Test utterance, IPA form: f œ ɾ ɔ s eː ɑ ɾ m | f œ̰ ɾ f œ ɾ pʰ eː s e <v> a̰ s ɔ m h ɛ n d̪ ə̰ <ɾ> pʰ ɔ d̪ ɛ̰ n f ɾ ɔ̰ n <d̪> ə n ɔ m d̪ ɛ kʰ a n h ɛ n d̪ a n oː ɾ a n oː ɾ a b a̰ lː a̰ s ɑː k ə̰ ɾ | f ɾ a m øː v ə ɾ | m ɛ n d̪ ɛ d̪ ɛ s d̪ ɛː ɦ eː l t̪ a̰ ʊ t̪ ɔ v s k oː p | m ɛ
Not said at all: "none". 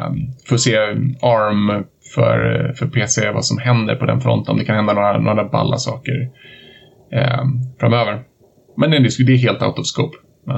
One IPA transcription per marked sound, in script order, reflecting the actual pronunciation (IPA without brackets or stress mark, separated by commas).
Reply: v, ɾ, t̪